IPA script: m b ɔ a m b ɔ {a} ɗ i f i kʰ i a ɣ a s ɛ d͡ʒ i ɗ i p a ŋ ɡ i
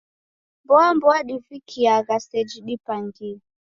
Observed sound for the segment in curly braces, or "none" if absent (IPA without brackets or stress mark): a